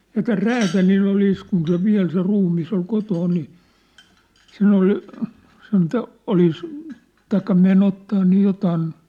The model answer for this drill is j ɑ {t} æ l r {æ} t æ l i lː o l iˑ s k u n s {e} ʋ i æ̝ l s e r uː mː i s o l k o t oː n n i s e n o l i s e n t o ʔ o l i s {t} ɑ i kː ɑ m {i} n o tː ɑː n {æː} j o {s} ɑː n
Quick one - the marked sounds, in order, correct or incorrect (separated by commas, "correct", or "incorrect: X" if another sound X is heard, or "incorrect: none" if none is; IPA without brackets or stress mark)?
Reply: correct, incorrect: æː, correct, correct, incorrect: e, incorrect: iː, incorrect: t